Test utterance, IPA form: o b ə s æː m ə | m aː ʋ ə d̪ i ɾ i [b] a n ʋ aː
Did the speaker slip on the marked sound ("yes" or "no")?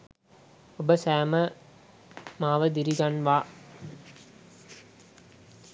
yes